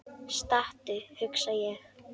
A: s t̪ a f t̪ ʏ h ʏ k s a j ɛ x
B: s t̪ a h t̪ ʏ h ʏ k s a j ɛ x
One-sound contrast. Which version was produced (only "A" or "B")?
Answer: B